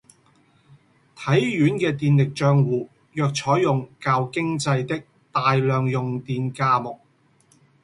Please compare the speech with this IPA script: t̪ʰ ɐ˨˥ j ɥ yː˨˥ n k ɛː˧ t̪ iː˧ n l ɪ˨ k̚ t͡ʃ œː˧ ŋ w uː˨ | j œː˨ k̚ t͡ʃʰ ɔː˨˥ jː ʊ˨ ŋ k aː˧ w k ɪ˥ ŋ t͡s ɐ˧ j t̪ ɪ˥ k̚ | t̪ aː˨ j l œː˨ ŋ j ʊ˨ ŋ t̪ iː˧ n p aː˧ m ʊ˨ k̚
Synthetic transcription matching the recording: t̪ʰ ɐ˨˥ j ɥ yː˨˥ n k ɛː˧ t̪ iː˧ n l ɪ˨ k̚ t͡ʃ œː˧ ŋ w uː˨ | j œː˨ k̚ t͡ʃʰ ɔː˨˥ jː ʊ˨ ŋ k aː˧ w k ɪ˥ ŋ t͡s ɐ˧ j t̪ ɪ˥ k̚ | t̪ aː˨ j l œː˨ ŋ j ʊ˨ ŋ t̪ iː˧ n k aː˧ m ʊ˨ k̚